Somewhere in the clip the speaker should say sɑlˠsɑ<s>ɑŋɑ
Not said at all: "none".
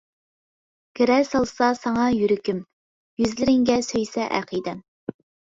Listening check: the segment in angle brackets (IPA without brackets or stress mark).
s